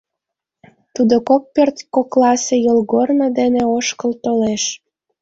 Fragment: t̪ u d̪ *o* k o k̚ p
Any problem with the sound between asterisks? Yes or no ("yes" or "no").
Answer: no